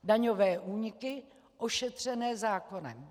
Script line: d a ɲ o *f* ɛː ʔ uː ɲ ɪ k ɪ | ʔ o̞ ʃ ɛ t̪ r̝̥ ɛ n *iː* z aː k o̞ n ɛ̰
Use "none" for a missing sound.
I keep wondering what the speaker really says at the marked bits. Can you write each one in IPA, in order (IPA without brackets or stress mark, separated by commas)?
v, ɛː